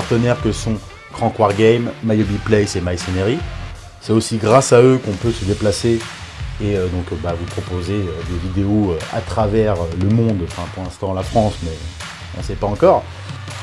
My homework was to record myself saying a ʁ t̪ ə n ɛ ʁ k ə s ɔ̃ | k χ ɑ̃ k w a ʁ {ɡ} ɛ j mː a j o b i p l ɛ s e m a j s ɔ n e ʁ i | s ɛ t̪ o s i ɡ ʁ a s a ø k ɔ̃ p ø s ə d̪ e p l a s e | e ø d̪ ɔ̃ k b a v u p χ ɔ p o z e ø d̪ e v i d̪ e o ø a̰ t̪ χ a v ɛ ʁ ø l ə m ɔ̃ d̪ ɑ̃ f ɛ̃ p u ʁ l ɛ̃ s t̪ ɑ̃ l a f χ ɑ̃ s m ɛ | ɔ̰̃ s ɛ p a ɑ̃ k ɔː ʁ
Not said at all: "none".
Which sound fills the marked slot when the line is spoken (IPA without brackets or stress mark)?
ɡ